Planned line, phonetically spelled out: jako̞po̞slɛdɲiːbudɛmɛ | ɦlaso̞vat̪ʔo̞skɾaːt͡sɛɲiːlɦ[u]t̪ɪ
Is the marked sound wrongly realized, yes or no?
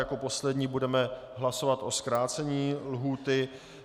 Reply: yes